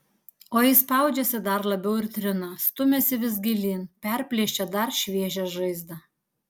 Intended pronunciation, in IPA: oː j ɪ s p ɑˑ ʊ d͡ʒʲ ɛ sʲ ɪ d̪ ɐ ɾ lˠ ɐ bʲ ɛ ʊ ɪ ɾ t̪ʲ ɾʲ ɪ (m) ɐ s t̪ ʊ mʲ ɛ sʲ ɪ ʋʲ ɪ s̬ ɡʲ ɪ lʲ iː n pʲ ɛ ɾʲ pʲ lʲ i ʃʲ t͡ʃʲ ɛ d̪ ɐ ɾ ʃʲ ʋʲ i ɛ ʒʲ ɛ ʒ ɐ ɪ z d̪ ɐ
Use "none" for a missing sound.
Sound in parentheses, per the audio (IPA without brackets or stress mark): n